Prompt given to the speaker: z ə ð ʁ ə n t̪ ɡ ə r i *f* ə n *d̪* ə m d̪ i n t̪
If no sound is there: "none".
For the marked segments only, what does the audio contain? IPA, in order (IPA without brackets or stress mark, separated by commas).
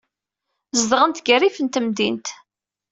f, t̪